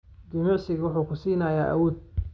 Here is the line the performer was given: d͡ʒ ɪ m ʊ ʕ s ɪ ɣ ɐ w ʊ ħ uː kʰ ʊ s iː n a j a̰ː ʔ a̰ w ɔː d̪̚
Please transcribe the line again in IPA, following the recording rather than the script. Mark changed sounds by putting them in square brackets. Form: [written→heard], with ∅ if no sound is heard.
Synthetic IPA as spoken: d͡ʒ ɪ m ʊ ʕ s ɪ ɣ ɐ w ʊ ħ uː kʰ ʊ s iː n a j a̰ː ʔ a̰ w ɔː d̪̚